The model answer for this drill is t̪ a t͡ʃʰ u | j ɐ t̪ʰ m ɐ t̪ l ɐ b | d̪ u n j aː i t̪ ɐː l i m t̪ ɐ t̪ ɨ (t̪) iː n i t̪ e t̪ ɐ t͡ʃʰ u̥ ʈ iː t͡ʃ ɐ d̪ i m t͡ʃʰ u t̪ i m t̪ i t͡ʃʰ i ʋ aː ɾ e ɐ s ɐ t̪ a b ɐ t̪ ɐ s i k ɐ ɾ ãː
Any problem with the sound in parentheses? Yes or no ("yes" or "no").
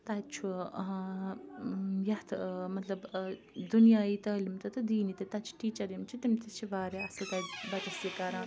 yes